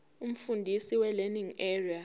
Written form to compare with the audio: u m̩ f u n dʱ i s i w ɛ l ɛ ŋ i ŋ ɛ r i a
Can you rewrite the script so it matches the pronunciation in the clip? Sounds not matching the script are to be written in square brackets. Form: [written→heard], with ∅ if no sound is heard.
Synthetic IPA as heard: u m̩ f u n dʱ i s i w ɛ l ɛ [ŋ→n] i ŋ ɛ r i a

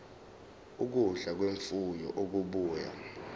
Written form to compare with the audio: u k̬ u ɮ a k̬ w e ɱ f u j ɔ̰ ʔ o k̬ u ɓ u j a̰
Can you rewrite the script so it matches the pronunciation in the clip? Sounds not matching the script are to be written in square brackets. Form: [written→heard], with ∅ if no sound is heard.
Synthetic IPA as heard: u k̬ u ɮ a k̬ w e ɱ f u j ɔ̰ ʔ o k̬ u ɓ [u→uː] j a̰

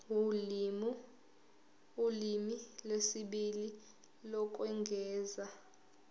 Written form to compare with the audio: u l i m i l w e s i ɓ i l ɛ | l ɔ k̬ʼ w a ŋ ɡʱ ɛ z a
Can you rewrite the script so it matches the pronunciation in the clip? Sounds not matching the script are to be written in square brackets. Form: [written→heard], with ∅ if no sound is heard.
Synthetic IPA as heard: u l i m i l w e s i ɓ i l [ɛ→i] | l ɔ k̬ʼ w [a→ɛ] ŋ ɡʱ [ɛ→ɛː] z a

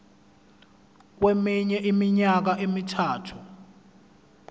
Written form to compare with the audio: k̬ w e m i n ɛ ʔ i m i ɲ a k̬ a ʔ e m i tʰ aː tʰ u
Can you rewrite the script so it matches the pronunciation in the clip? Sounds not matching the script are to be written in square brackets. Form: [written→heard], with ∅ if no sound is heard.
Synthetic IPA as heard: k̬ w e m i [n→ɲ] ɛ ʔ i m i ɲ a k̬ a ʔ e m i tʰ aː tʰ u

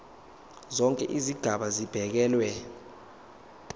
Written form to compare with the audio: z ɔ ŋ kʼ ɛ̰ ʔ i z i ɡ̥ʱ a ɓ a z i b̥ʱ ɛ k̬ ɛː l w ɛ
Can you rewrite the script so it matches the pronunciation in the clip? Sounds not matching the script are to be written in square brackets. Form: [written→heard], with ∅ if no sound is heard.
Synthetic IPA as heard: z ɔ ŋ kʼ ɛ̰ ʔ i z i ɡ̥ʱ a ɓ a z i b̥ʱ ɛ k̬ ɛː l w ɛ

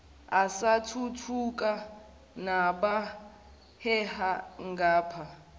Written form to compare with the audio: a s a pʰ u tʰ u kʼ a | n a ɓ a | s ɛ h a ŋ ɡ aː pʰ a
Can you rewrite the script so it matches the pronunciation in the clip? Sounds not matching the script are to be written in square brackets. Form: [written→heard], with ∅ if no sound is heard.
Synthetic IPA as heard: a s a [pʰ→tʰ] u tʰ u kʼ a | n a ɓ a | [s→h] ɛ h a ŋ ɡ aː pʰ a

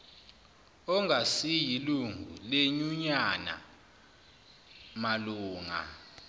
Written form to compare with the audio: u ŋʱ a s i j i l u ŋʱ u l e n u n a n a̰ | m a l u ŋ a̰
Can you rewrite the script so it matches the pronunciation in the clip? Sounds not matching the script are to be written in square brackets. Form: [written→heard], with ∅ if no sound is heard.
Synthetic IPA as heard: [u→ɔ] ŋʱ a s i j i l u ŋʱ u l e [n→ɲ] u [n→ɲ] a n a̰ | m a l [u→uː] ŋ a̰

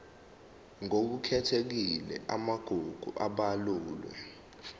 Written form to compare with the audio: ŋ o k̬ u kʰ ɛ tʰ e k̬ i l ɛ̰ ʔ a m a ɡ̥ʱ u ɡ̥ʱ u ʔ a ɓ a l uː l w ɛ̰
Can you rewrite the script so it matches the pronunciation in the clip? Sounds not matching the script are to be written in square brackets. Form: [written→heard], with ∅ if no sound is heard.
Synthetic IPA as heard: ŋ o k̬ u kʰ ɛ tʰ e k̬ i l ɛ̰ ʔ a m a ɡ̥ʱ u ɡ̥ʱ u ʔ a ɓ a l uː l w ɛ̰

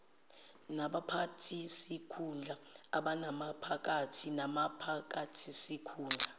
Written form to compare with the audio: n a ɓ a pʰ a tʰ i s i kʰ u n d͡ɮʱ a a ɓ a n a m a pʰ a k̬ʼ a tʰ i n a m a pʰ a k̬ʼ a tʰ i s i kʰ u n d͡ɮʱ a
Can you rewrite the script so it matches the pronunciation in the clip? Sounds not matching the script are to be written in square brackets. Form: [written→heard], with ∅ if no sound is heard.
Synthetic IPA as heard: n a ɓ a pʰ a tʰ i s i kʰ u n d͡ɮʱ a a ɓ a n a m a pʰ a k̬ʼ a tʰ i n a m a pʰ a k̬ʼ a tʰ i s i kʰ [u→uː] n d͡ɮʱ a

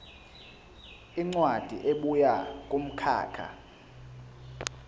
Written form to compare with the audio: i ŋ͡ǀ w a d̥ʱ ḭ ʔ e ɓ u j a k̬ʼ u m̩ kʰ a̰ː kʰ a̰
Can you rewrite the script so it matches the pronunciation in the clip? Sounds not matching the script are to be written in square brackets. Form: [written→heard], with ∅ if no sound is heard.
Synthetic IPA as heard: i ŋ͡ǀ w a d̥ʱ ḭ ʔ e ɓ u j a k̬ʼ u m̩ kʰ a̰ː kʰ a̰

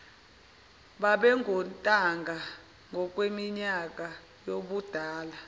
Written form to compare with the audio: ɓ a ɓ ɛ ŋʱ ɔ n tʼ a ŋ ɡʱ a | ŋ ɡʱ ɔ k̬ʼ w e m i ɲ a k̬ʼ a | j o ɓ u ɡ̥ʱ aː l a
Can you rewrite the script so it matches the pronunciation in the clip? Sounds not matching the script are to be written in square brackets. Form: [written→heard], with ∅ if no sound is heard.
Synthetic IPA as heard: ɓ a ɓ ɛ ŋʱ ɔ n tʼ a ŋ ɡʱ a | ŋ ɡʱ ɔ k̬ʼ w e m i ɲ a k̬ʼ a | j o ɓ u [ɡ̥ʱ→d̥ʱ] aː l a

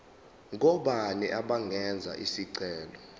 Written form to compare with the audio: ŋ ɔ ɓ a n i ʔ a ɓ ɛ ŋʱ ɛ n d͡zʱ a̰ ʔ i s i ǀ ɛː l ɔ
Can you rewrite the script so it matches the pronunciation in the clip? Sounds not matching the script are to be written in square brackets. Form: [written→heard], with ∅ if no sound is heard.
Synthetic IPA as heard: ŋ ɔ ɓ a n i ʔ a ɓ [ɛ→a] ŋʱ ɛ n d͡zʱ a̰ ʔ i s i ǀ ɛː l ɔ

